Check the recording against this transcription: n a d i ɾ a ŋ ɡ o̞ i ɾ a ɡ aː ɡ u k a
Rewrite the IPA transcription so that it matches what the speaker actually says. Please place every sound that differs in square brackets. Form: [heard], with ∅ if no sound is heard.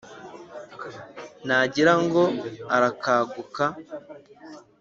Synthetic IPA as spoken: n a [ɟ] i ɾ a ŋ ɡ o̞ [a] ɾ a [k] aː ɡ u k a

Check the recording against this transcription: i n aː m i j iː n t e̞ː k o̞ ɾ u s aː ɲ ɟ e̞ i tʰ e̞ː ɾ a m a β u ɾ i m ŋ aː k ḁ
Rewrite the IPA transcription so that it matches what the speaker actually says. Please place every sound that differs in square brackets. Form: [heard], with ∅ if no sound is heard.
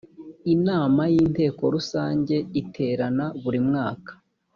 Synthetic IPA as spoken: i n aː m [a] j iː n t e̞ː k o̞ ɾ u s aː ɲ ɟ e̞ i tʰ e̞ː ɾ a [n] a β u ɾ i m ŋ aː k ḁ

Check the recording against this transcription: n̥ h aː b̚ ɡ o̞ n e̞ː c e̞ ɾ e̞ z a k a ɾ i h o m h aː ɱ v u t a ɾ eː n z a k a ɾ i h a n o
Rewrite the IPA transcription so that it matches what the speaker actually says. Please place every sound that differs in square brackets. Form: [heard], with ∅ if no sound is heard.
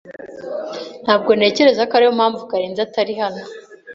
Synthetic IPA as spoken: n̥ h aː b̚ ɡ o̞ n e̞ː c e̞ ɾ e̞ z a k a ɾ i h o m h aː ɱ v u [k] a ɾ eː n z a [t] a ɾ i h a n o

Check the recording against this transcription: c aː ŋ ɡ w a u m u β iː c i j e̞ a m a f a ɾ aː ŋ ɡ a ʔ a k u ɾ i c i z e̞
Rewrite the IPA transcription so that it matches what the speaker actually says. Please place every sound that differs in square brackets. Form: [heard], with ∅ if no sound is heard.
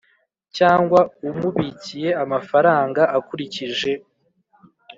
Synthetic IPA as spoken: c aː ŋ ɡ w a u m u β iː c i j e̞ a m a f a ɾ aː ŋ ɡ a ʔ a k u ɾ i c i [ʒ] e̞

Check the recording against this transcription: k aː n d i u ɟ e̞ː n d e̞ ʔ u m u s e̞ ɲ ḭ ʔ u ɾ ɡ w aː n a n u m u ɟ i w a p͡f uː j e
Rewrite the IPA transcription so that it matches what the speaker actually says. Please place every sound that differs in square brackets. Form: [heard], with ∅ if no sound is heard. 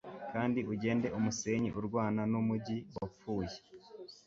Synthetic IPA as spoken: k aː n d i u ɟ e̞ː n d e̞ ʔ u m u s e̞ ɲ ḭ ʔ u ɾ ɡ w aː n a n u m u ɟ i w a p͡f uː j e

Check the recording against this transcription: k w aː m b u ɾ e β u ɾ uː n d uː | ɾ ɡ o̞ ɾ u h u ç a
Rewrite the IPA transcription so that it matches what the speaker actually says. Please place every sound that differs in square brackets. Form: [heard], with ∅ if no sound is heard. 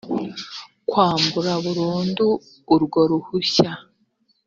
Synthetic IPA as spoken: k w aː m b u ɾ [a] β u ɾ uː n d uː | ɾ ɡ o̞ ɾ u h u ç a

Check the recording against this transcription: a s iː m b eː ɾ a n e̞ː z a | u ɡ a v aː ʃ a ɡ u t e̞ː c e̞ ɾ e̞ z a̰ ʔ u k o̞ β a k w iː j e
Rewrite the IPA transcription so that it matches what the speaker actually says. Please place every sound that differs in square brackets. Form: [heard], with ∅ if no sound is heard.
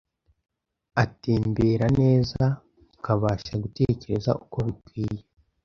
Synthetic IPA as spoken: a [t] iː m b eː ɾ a n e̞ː z a | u [k] a [β] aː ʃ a ɡ u t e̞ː c e̞ ɾ e̞ z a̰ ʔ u k o̞ β [i] k w iː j e

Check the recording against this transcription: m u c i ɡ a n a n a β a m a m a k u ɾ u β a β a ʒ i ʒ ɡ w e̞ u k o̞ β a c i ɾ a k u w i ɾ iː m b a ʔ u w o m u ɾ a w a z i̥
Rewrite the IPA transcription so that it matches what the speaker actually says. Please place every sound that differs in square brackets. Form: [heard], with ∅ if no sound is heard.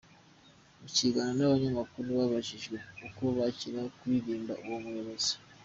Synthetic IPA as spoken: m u c i ɡ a n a n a β a [ɲ] a m a k u ɾ u β a β a ʒ i ʒ ɡ w e̞ u k o̞ β a c i ɾ a k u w i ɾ iː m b a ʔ u w o m u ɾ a [β] a z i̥

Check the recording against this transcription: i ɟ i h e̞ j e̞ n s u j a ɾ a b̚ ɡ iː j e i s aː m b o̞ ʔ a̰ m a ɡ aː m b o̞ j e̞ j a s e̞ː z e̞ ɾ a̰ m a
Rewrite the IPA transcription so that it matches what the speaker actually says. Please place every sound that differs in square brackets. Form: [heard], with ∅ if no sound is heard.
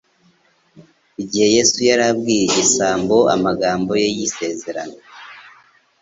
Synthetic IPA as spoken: i ɟ i h e̞ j e̞ [∅] s u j a ɾ a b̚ ɡ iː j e i s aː m b o̞ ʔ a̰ m a ɡ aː m b o̞ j e̞ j [i] s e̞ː z e̞ ɾ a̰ [n] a

